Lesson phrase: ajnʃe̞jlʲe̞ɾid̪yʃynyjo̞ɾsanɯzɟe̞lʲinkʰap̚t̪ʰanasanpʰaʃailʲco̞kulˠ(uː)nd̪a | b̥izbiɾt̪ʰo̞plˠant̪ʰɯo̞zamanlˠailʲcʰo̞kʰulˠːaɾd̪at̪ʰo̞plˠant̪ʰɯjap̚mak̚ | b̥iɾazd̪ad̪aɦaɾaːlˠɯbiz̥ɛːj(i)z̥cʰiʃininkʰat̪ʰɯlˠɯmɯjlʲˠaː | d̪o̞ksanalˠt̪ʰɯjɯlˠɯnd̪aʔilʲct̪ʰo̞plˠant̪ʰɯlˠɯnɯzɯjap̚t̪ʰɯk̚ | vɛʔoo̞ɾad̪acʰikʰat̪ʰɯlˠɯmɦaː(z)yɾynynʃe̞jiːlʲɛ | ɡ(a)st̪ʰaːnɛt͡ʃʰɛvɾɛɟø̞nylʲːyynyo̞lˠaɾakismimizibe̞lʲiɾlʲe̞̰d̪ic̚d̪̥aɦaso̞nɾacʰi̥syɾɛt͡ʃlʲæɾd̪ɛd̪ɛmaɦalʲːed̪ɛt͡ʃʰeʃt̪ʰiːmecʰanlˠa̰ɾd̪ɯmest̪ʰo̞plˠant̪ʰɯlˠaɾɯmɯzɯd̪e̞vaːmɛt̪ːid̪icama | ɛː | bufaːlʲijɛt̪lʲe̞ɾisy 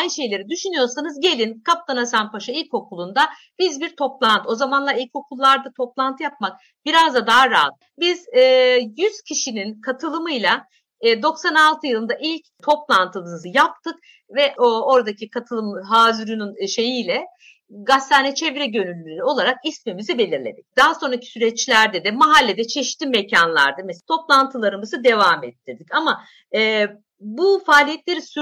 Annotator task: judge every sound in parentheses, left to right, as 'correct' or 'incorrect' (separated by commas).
incorrect, incorrect, correct, correct